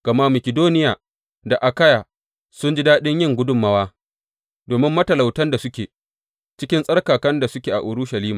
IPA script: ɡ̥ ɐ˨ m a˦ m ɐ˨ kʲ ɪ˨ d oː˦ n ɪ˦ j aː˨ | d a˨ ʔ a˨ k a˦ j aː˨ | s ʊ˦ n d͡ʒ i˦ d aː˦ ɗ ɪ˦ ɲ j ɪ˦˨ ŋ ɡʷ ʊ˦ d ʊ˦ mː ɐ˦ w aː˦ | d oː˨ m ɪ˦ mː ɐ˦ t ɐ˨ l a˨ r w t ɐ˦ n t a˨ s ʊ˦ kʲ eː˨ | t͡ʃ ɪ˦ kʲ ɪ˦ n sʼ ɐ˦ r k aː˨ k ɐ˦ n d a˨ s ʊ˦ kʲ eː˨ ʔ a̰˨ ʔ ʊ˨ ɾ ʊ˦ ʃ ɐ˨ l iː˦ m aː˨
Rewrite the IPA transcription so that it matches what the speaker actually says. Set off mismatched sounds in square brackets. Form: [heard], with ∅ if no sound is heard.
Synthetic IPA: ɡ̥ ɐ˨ m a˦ m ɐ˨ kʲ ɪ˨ d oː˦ n ɪ˦ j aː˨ | d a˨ ʔ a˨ k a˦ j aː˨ | s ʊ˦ n d͡ʒ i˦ d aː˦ ɗ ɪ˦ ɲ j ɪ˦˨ ŋ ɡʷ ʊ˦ d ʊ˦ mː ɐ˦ w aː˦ | d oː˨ m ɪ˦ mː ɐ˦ t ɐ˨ l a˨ [∅] w t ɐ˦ n [d] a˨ s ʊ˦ kʲ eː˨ | t͡ʃ ɪ˦ kʲ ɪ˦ n sʼ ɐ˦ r k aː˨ k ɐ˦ n d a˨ s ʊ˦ kʲ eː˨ ʔ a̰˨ ʔ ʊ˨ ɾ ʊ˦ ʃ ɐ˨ l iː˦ m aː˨